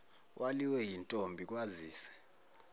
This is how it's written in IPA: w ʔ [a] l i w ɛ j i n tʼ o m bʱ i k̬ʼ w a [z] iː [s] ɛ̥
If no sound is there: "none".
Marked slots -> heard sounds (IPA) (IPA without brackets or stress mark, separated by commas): a, z, s